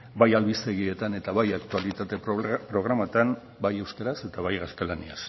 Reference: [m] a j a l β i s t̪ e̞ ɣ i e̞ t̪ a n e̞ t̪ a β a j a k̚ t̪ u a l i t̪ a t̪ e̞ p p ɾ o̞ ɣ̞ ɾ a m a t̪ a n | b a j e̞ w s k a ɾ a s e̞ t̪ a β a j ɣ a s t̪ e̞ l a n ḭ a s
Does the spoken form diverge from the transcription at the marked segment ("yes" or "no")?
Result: yes